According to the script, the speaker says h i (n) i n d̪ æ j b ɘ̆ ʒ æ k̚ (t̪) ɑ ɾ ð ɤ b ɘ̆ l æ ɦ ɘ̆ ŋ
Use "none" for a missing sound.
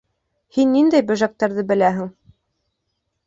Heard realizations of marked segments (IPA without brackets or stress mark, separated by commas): nː, t̪